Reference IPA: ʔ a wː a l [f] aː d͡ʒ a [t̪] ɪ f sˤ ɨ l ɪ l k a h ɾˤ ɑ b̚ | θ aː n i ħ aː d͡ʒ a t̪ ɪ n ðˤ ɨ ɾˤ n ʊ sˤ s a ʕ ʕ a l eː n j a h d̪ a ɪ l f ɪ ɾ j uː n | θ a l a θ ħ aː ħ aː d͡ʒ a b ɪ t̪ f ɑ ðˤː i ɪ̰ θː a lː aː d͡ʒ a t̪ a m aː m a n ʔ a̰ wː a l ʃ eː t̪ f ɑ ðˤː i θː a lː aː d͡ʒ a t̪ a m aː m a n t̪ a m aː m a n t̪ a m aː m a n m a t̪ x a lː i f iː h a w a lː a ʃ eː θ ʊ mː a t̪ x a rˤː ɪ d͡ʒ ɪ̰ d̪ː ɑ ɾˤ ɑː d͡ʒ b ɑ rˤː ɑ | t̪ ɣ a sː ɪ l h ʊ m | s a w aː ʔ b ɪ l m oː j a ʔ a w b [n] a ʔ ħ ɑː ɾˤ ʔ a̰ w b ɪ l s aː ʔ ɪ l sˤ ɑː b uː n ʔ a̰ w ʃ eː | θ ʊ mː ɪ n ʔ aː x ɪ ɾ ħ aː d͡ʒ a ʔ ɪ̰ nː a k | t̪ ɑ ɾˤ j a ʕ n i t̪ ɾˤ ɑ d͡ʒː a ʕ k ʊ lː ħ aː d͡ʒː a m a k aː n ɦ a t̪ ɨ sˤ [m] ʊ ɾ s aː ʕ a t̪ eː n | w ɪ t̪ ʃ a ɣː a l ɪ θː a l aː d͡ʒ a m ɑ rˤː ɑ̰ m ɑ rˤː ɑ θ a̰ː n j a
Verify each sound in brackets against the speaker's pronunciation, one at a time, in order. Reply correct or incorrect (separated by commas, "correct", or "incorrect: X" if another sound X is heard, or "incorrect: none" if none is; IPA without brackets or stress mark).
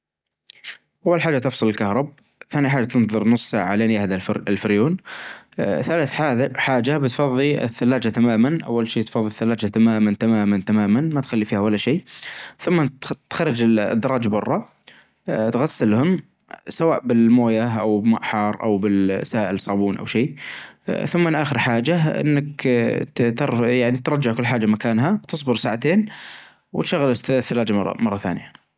incorrect: ħ, correct, incorrect: m, incorrect: b